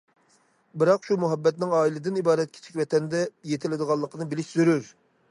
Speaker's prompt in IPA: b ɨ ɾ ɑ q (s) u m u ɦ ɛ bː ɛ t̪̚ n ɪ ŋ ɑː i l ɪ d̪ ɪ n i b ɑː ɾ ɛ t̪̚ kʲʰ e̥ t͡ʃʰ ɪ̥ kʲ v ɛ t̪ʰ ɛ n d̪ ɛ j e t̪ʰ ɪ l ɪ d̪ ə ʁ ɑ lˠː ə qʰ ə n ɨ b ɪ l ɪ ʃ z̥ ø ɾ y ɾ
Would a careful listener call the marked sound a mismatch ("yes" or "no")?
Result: yes